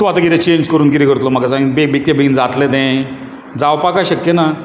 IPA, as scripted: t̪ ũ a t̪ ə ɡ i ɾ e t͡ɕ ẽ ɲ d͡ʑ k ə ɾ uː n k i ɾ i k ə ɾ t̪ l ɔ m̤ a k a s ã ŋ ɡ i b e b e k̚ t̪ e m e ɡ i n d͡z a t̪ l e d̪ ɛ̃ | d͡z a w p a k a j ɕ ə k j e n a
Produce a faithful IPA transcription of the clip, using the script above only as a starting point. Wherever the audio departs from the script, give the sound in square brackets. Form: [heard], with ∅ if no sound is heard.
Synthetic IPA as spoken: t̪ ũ a t̪ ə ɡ i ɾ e t͡ɕ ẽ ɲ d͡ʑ k ə ɾ uː n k i ɾ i k ə ɾ t̪ l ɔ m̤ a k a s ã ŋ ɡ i b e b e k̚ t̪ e [b] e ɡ i n d͡z a t̪ l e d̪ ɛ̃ | d͡z a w p a k a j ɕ ə k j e n a